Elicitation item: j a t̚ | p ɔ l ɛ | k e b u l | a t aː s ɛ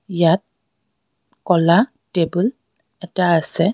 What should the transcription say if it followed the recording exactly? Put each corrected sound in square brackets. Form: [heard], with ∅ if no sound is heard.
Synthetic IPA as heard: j a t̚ | [k] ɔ l [a] | [t] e b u l | [ɛ] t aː s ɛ